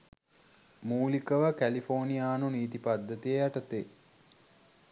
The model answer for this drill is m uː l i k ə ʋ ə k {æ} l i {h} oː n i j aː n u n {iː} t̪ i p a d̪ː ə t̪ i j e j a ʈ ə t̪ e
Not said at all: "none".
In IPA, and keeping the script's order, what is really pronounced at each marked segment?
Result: æ, f, iː

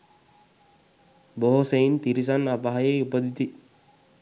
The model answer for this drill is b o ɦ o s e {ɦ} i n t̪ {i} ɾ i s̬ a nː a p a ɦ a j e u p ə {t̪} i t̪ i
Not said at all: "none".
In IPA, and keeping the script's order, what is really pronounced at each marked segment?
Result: none, i, d̪

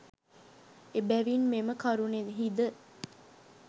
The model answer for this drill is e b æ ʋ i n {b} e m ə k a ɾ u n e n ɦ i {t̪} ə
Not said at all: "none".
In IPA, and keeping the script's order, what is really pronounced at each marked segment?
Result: m, d̪

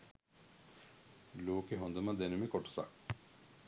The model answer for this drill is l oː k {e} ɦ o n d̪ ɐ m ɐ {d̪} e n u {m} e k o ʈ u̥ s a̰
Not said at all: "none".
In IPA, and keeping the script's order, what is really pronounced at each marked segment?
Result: e, d̪, m

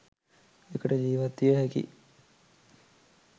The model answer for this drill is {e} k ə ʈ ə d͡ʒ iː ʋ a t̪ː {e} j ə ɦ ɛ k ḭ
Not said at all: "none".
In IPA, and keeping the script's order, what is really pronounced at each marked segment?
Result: e, i

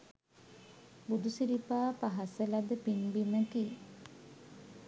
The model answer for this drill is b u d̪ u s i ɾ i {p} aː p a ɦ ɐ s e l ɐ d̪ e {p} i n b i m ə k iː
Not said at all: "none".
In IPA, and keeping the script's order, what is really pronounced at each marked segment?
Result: p, p

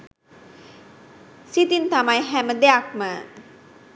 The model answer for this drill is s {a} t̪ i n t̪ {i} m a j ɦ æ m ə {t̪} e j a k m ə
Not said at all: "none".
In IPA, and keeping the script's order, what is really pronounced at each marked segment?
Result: i, a, d̪

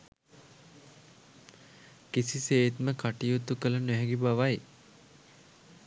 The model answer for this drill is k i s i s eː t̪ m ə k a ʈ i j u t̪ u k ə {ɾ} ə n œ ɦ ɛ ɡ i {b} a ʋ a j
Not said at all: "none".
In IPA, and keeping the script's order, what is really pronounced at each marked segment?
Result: l, b

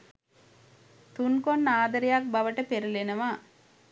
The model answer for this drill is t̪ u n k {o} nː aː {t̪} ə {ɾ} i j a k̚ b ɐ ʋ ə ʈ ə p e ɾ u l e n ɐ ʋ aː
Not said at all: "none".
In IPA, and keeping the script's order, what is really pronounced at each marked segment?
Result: o, d̪, ɾ

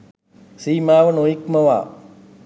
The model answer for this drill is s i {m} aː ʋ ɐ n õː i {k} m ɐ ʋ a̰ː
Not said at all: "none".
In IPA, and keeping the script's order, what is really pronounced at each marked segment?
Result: m, k

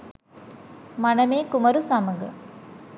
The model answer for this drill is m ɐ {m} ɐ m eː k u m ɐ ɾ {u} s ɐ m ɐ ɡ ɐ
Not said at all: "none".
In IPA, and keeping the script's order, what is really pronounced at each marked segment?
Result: n, u

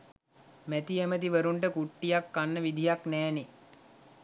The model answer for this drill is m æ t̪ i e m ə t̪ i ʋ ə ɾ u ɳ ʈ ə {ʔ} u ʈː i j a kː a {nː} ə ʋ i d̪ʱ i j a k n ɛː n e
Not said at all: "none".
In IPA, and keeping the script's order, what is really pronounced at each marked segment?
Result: k, nː

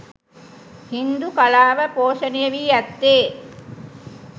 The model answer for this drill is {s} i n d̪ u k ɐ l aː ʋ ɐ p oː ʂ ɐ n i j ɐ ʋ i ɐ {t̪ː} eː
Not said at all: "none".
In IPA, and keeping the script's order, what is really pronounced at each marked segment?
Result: h, t̪ː

